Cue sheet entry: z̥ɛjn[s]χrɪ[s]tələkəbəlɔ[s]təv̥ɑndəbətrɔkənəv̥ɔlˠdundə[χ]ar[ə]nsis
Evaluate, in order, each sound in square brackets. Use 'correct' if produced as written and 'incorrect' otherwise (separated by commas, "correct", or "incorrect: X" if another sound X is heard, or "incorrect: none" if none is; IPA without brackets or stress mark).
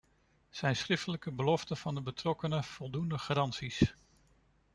correct, incorrect: f, incorrect: f, correct, incorrect: ɑ